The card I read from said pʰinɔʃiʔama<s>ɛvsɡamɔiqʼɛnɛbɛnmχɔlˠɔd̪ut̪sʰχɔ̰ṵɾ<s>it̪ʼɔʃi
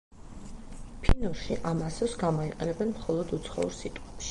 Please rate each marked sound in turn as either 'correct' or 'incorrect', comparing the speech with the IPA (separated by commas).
correct, correct